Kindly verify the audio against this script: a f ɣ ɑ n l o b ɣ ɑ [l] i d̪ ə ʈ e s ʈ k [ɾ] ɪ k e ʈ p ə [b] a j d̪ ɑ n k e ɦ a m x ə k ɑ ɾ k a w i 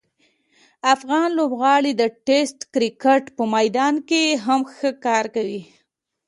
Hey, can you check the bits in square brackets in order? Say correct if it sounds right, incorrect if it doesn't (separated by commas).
incorrect, correct, incorrect